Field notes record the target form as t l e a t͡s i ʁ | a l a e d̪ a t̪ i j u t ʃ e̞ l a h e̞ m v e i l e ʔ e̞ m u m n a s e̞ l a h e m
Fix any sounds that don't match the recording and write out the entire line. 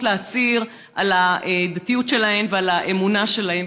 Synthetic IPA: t l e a t͡s i ʁ | a l a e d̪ a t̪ i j u t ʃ e̞ l a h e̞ m v e a l a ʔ e̞ m u n a ʃ e̞ l a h e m